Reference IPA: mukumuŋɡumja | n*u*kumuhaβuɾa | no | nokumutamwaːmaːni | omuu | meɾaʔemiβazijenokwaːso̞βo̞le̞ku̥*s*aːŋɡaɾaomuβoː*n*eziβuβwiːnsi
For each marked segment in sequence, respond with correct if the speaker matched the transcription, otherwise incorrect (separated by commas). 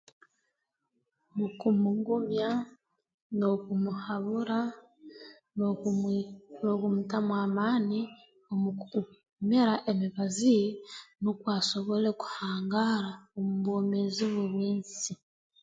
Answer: incorrect, incorrect, incorrect